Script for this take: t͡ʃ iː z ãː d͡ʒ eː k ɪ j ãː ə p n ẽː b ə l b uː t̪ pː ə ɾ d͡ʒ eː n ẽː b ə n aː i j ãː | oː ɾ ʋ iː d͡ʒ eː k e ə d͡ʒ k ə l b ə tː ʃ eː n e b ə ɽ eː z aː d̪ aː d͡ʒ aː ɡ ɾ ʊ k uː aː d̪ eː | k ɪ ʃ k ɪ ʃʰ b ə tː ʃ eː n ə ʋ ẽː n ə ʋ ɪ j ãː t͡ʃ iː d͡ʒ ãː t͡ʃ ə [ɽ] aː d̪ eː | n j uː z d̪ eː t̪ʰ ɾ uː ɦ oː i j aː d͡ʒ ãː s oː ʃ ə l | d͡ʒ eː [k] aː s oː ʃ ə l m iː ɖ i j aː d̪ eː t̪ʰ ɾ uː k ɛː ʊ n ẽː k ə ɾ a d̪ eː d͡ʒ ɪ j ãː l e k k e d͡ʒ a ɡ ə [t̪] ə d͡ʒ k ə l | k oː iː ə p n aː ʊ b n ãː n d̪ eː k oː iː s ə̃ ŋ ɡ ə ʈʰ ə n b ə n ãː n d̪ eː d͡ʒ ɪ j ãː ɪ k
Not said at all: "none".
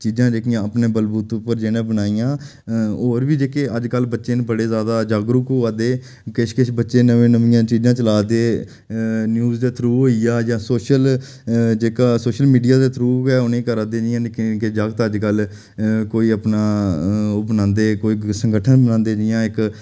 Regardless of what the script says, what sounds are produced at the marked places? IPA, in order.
l, k, t̪

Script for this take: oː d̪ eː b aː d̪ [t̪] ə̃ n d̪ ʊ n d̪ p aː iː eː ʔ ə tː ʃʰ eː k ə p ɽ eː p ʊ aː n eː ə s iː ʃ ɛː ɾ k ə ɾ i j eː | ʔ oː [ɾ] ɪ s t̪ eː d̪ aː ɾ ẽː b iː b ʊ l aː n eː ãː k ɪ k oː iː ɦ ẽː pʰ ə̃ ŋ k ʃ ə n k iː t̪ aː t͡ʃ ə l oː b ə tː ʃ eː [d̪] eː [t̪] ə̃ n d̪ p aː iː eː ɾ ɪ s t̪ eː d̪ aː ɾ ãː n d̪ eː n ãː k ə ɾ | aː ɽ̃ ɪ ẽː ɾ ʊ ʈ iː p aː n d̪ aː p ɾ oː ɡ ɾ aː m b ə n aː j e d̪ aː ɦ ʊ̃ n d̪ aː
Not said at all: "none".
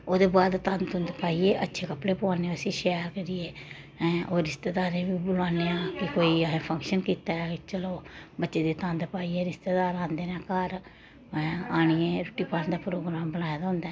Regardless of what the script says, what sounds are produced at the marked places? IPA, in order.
t̪, ɾ, d̪, t̪

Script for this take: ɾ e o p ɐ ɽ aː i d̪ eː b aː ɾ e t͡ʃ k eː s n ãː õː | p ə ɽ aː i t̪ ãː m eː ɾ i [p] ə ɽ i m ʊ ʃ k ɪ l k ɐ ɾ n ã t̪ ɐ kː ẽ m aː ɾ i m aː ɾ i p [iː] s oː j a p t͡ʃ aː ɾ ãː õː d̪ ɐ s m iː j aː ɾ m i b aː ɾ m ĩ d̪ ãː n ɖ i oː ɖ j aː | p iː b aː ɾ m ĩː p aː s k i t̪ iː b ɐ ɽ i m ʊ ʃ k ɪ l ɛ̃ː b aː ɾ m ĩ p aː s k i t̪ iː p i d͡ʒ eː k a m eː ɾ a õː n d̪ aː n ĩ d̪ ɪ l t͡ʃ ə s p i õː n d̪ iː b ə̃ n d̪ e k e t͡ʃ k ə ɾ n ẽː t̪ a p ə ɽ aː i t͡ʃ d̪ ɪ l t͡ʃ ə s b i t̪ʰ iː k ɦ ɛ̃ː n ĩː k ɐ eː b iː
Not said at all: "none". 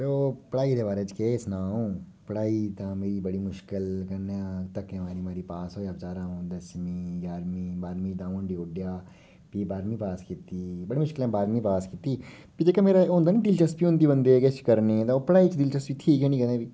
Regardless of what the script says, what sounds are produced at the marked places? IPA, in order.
b, aː

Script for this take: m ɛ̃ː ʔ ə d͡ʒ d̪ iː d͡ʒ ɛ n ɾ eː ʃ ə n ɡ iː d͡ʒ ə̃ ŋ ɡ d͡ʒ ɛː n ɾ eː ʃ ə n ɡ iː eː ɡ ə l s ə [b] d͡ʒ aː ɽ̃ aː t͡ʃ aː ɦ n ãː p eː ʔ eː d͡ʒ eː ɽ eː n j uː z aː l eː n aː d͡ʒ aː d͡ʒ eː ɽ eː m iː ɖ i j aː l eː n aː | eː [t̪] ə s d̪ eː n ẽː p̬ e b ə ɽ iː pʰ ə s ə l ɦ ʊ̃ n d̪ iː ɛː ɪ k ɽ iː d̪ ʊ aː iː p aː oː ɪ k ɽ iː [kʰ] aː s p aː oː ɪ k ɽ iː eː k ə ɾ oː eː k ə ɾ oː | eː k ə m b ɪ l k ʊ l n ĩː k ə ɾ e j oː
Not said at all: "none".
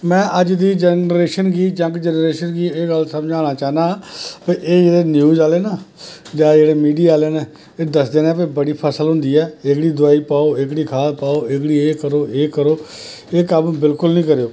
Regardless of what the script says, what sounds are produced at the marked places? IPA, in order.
m, d̪, kʰ

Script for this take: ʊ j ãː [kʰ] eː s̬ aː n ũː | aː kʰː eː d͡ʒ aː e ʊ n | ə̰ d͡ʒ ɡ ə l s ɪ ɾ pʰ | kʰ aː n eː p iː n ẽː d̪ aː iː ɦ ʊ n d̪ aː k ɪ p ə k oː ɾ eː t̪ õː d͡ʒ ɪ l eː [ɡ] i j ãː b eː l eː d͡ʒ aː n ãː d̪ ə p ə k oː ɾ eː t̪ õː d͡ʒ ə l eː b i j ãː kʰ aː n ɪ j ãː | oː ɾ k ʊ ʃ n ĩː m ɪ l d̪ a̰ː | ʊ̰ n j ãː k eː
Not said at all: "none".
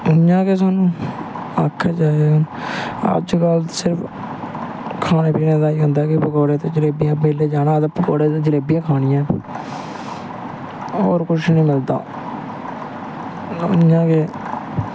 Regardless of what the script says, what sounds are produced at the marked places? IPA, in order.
k, b

